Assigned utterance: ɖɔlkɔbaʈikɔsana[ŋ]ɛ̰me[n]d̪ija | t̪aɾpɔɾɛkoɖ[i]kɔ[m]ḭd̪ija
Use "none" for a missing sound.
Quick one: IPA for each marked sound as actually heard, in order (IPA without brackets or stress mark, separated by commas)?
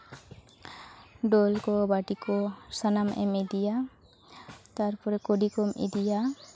m, none, i, m